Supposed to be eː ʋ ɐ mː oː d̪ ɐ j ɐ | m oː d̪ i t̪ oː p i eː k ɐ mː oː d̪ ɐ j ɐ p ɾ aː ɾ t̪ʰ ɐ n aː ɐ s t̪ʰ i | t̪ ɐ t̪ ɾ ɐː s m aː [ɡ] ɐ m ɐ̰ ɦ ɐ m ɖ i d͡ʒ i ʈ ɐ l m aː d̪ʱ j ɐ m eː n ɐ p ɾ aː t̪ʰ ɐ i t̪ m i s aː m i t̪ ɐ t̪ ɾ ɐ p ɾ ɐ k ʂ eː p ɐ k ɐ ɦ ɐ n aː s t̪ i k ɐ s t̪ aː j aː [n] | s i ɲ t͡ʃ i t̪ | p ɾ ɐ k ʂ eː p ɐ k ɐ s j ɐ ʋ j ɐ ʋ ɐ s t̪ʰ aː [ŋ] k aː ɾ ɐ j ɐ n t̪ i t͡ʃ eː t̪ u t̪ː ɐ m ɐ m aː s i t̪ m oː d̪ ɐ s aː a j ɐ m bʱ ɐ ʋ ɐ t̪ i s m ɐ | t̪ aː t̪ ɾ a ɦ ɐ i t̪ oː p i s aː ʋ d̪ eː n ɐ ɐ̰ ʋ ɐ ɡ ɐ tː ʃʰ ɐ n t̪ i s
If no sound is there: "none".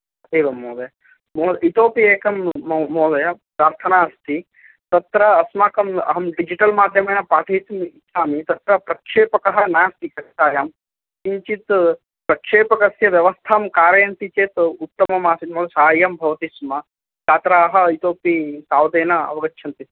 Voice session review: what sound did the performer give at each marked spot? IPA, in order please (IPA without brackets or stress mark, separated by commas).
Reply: k, m, m